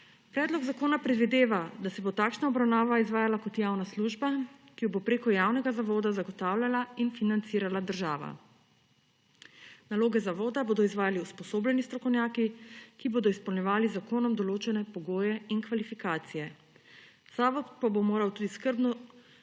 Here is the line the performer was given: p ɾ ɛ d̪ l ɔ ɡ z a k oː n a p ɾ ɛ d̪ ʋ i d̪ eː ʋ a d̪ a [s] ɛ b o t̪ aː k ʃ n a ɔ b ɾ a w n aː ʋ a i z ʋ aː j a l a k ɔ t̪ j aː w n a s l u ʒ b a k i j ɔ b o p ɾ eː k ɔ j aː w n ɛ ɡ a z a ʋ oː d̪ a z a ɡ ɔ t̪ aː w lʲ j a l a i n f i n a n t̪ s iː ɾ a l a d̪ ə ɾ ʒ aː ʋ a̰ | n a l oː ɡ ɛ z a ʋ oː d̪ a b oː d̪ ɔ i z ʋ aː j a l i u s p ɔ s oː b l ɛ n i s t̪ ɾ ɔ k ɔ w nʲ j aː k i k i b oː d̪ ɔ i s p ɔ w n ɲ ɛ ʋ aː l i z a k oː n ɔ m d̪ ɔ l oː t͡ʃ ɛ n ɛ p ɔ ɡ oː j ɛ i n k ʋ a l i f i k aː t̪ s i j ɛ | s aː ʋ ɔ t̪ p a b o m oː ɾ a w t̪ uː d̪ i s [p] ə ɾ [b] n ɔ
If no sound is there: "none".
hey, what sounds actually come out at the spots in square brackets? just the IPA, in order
s, k, b

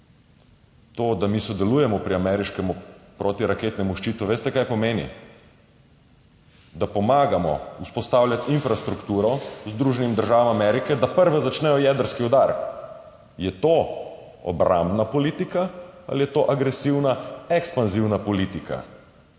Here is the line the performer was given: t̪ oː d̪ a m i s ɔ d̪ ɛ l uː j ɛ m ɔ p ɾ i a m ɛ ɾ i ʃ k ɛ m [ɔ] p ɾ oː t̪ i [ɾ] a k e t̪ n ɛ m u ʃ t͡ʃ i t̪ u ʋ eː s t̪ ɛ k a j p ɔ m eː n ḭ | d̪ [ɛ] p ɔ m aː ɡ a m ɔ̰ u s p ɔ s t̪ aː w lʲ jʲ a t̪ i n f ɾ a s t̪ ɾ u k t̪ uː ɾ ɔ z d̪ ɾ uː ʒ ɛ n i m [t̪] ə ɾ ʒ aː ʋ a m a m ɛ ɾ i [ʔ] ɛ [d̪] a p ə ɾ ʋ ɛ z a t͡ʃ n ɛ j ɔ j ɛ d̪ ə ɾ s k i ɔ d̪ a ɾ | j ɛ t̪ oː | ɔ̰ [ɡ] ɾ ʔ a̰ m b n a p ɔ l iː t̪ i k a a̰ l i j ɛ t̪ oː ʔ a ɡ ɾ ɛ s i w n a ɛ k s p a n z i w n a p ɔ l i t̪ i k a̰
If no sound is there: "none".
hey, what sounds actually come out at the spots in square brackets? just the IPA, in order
u, ɾ, a, d̪, k, d̪, b

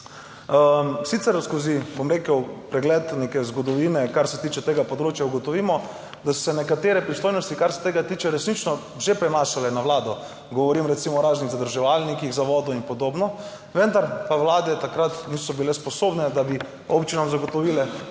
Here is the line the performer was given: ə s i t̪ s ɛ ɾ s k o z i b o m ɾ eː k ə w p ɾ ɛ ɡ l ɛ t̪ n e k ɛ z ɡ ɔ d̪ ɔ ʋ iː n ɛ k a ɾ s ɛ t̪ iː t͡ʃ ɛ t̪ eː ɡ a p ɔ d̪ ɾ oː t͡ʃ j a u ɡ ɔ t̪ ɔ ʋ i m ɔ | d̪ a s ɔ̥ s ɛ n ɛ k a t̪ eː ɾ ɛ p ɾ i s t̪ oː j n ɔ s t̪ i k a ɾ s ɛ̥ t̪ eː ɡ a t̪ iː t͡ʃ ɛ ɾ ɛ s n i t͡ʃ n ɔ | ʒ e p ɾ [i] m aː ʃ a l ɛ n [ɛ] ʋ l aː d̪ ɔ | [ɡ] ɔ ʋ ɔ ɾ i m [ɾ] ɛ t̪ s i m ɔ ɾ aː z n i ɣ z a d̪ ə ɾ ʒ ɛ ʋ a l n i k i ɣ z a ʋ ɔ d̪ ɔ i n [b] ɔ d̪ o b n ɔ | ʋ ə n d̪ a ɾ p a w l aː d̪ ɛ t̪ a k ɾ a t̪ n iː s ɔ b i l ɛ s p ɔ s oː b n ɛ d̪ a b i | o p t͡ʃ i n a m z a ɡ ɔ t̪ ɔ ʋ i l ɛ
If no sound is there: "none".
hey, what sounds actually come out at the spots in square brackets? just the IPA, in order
ɛ, a, ɡ, ɾ, p

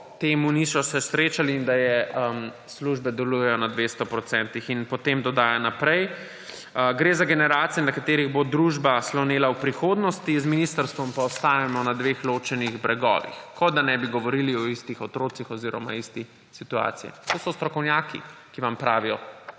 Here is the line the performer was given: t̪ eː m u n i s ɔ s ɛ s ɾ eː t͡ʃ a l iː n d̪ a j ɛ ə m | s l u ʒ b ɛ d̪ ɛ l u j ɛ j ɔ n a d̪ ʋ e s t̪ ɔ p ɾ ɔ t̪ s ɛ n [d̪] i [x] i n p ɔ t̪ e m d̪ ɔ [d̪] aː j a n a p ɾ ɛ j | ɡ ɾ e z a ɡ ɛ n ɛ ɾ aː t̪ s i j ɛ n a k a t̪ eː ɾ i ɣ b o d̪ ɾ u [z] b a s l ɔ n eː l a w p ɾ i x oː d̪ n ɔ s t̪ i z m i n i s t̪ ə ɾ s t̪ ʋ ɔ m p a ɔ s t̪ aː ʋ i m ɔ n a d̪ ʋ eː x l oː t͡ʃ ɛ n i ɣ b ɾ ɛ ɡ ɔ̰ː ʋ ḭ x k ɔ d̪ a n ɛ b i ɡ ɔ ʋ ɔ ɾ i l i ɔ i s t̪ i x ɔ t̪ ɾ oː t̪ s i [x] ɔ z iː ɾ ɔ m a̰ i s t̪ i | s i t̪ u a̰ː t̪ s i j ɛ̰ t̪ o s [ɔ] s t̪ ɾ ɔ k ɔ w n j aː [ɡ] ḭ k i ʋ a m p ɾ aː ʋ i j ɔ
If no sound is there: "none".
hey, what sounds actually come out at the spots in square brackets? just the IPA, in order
t̪, x, d̪, ʒ, x, ɔ, k

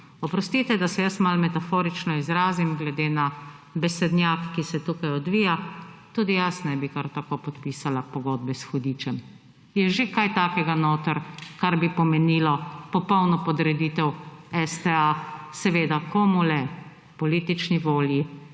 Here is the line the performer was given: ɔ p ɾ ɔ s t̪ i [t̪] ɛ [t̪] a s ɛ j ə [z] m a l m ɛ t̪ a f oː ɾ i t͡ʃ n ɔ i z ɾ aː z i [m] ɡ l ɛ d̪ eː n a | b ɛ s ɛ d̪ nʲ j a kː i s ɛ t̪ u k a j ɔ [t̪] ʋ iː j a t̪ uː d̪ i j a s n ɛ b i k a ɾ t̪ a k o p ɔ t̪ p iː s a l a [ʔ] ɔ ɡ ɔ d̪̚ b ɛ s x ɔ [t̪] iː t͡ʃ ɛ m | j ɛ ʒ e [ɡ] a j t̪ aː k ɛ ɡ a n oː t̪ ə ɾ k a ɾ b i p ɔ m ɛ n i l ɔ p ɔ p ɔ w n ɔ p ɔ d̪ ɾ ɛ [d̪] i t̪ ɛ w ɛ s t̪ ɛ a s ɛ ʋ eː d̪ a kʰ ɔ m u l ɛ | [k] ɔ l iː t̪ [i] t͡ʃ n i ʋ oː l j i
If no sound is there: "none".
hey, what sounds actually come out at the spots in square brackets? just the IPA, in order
t̪, d̪, s, m, d̪, p, d̪, k, d̪, p, i

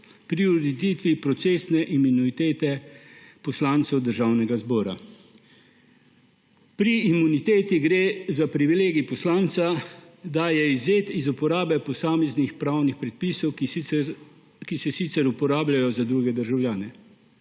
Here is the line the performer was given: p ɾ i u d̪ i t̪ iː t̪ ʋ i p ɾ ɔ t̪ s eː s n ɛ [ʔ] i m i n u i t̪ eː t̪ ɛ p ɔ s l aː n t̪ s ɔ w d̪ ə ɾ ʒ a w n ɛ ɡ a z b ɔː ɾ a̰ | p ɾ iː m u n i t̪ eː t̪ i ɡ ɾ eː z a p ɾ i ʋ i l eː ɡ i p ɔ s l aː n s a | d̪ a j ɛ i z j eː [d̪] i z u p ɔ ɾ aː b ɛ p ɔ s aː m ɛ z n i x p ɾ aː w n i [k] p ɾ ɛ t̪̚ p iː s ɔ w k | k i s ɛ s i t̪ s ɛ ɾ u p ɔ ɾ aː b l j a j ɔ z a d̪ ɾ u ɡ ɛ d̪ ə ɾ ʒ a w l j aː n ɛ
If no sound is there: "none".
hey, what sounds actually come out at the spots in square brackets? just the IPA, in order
ʔ, t̪, x

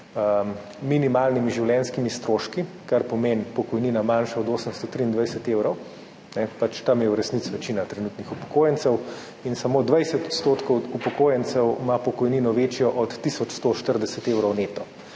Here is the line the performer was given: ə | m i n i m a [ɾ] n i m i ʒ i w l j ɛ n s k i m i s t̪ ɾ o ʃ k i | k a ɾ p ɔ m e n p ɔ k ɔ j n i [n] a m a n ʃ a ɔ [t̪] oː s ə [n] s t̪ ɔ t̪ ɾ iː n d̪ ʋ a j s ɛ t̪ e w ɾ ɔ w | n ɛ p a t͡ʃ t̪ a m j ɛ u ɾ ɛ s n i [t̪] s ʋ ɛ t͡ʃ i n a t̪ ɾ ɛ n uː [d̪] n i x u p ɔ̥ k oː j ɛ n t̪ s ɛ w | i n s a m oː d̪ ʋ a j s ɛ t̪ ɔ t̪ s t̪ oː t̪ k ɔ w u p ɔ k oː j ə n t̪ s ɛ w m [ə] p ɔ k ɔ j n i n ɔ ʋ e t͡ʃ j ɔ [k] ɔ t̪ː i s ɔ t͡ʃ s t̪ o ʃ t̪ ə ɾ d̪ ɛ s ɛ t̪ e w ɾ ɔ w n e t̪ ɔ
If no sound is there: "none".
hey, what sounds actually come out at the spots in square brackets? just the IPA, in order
l, n, d̪, m, t̪, t̪, a, ʔ

